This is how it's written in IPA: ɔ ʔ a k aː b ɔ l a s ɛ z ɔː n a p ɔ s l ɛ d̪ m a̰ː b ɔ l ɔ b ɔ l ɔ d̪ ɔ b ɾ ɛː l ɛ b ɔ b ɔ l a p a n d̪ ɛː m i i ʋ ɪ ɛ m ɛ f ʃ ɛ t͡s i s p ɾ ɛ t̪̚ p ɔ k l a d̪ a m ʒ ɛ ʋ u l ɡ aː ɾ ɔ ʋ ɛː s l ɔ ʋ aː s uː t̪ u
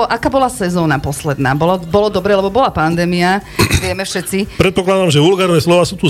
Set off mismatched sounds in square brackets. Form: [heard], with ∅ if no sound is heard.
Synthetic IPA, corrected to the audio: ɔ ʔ a k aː b ɔ l a s ɛ z ɔː n a p ɔ s l ɛ d̪ [n] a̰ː b ɔ l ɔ b ɔ l ɔ d̪ ɔ b ɾ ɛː l ɛ b ɔ b ɔ l a p a n d̪ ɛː m i [a] ʋ ɪ ɛ m ɛ f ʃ ɛ t͡s i [∅] p ɾ ɛ t̪̚ p ɔ k l a d̪ a m ʒ ɛ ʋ u l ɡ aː ɾ ɔ ʋ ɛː s l ɔ ʋ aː s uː t̪ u